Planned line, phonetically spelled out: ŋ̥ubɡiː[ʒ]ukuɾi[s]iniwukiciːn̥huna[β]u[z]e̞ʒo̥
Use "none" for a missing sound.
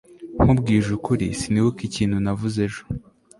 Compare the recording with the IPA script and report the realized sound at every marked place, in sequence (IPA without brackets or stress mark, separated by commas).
ʒ, s, v, z